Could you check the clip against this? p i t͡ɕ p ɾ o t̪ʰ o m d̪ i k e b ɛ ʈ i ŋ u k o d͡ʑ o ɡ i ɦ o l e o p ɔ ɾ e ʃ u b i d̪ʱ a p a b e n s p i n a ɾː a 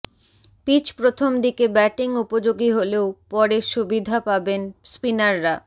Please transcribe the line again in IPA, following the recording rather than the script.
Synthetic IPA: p i t͡ɕ p ɾ o t̪ʰ o m d̪ i k e b ɛ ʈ i ŋ u p o d͡ʑ o ɡ i ɦ o l e o p ɔ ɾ e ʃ u b i d̪ʱ a p a b e n s p i n a ɾː a